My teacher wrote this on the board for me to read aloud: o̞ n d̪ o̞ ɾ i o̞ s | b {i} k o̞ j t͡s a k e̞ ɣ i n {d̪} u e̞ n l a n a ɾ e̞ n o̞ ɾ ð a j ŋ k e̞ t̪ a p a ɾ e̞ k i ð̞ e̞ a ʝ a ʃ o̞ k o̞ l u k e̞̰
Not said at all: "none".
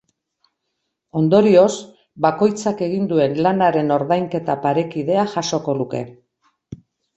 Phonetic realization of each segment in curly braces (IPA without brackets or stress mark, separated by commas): a, d̪